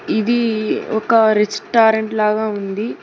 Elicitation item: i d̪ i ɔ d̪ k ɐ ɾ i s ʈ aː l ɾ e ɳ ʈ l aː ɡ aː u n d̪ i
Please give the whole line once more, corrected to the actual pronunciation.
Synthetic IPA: i d̪ i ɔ k ɐ ɾ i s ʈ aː ɾ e ɳ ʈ l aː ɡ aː u n d̪ i

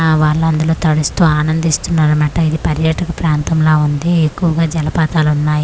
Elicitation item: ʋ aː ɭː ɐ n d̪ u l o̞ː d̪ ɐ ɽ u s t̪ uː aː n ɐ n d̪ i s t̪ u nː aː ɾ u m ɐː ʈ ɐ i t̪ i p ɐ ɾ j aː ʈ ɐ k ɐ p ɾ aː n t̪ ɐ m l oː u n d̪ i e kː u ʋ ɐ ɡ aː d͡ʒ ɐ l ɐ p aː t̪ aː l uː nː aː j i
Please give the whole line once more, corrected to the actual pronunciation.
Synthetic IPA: ʋ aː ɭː ɐ n d̪ u l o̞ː t̪ ɐ ɽ u s t̪ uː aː n ɐ n d̪ i s t̪ u nː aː ɾ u m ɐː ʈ ɐ i d̪ i p ɐ ɾ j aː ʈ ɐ k ɐ p ɾ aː n t̪ ɐ m l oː u n d̪ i e kː u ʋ ɐ ɡ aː d͡ʒ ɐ l ɐ p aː t̪ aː l u nː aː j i

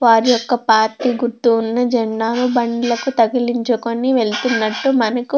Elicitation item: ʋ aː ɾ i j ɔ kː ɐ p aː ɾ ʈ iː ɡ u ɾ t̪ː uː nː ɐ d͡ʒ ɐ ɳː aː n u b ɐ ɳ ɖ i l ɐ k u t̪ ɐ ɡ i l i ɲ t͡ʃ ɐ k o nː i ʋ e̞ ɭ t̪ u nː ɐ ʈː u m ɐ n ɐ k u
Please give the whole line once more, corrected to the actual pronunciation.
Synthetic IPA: ʋ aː ɾ i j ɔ kː ɐ p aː ɾ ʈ iː ɡ u ɾ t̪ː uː nː ɐ d͡ʒ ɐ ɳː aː n u b ɐ ɳ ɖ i l ɐ k u t̪ ɐ ɡ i l i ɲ t͡ʃ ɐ k o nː i ʋ e̞ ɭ t̪ u nː ɐ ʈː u m ɐ n ɐ k u

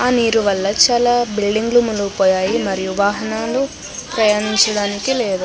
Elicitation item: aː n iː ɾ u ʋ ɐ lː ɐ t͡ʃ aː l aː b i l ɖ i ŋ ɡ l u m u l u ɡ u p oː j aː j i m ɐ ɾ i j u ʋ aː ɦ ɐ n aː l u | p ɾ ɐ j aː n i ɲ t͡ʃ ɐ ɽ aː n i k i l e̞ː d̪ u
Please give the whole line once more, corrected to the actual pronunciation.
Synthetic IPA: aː n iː ɾ u ʋ ɐ lː ɐ t͡ʃ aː l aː b i l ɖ i ŋ ɡ l u m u l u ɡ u p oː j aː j i m ɐ ɾ i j u ʋ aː ɦ ɐ n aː l u | p ɾ ɐ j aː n i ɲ t͡ʃ ɐ ɽ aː n i k i l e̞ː d̪ u

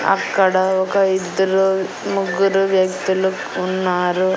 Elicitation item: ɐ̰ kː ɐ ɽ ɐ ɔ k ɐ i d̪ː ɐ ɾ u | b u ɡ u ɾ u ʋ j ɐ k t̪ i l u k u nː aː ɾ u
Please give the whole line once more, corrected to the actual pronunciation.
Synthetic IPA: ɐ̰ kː ɐ ɽ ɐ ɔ k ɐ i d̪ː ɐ ɾ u | m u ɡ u ɾ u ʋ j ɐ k t̪ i l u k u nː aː ɾ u

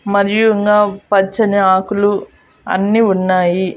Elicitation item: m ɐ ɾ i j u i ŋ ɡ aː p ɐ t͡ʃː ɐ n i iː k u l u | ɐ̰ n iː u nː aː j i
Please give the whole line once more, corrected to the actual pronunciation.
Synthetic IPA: m ɐ ɾ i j u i ŋ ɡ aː p ɐ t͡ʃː ɐ n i aː k u l u | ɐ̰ nː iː u nː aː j i

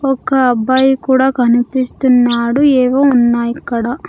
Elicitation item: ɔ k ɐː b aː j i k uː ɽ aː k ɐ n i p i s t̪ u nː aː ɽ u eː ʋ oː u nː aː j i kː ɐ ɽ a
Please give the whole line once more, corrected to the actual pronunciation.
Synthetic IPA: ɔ k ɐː b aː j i k uː ɽ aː k ɐ n i p i s t̪ u nː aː ɽ u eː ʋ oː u nː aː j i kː ɐ ɽ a

